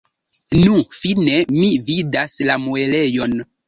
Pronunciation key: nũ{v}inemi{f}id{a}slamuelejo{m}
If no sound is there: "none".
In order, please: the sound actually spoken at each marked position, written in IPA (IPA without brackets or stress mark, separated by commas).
f, v, a, n